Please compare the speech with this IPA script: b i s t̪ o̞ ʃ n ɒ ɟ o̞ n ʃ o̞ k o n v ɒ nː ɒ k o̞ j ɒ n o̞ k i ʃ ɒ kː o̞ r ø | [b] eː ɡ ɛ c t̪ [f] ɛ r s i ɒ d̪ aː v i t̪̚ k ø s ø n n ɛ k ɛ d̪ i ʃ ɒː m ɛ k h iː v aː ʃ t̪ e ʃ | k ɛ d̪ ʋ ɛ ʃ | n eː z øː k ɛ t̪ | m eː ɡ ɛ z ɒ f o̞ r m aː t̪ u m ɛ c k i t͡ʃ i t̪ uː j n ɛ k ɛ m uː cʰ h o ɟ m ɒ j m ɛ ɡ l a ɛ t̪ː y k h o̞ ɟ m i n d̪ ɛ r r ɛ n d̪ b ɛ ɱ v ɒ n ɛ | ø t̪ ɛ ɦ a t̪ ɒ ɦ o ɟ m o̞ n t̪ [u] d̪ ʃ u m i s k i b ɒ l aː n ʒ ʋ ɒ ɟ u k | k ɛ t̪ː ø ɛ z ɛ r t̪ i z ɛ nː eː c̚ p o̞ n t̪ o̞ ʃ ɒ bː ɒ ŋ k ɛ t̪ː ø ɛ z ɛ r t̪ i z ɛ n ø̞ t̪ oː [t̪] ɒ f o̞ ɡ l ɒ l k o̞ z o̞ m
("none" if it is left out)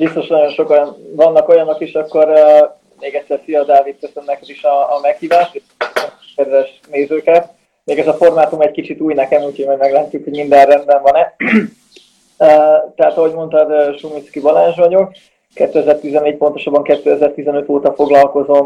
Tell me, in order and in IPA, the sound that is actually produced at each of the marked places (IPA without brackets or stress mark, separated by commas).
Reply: m, s, ɒ, t̪